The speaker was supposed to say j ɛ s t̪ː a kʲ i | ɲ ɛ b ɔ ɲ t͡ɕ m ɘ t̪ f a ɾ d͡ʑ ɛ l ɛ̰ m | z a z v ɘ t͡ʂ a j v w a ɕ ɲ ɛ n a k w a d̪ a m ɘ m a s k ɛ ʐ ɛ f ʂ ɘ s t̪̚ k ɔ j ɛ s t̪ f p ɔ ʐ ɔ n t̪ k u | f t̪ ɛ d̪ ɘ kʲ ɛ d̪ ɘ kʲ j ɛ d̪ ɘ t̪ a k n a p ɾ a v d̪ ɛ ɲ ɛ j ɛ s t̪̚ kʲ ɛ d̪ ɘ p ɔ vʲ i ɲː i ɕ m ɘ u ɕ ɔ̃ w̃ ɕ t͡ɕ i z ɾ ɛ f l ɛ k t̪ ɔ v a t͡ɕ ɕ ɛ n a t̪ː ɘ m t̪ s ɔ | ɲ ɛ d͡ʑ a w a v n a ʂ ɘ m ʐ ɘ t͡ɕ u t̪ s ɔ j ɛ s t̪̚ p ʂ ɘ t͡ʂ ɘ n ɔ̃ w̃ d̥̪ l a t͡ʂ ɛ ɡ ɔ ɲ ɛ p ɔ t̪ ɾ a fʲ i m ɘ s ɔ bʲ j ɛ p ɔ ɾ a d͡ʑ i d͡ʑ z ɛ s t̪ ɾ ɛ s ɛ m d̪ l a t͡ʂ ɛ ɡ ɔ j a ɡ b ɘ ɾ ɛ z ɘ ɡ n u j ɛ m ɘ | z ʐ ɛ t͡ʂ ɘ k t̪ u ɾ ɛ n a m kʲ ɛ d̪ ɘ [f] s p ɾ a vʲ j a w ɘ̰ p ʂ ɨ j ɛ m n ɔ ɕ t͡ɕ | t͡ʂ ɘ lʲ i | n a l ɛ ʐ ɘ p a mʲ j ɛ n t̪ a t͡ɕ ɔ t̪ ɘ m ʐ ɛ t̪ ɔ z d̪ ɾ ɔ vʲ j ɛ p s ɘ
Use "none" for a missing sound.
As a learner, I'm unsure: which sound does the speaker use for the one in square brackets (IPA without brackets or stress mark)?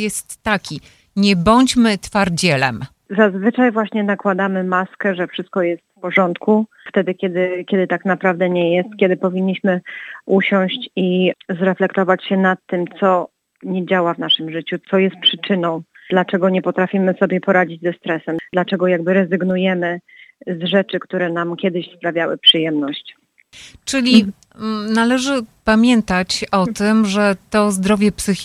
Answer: ɕ